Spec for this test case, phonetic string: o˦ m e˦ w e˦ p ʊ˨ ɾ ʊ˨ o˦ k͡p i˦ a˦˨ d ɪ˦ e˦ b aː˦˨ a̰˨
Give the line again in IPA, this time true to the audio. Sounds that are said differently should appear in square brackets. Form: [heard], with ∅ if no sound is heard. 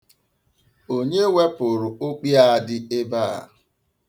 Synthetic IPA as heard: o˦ [ɲ] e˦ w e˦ p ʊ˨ ɾ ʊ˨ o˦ k͡p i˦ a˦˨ d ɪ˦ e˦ b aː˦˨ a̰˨